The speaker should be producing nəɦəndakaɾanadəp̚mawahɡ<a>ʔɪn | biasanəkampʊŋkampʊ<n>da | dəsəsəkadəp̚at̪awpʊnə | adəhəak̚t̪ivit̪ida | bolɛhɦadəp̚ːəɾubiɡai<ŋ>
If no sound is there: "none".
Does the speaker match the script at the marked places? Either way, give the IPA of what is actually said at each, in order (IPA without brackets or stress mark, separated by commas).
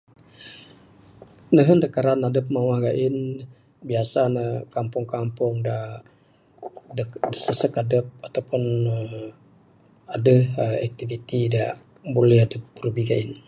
a, ŋ, n